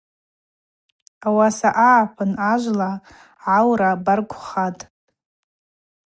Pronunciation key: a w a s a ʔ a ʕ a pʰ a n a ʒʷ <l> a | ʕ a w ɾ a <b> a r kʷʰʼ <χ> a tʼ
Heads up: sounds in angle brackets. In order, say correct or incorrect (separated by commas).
correct, correct, correct